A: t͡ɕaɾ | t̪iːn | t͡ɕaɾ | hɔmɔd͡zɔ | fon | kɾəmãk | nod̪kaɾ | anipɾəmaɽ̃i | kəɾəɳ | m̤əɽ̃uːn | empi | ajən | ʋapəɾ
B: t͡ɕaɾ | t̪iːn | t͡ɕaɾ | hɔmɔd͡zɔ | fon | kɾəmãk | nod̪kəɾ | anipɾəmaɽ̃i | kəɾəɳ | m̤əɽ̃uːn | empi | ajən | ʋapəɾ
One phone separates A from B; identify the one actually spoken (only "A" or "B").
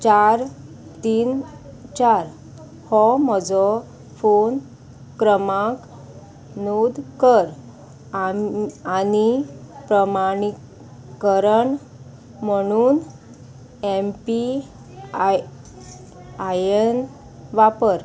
B